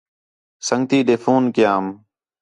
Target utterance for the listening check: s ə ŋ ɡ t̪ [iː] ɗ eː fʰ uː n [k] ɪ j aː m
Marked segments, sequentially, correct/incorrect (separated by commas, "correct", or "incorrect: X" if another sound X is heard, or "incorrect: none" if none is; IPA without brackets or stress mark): correct, correct